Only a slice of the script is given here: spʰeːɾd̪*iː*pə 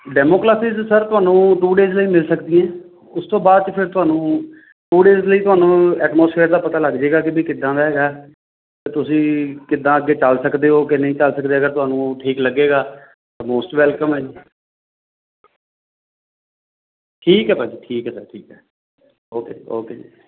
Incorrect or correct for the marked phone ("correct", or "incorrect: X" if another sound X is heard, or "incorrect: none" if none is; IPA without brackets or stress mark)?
incorrect: aː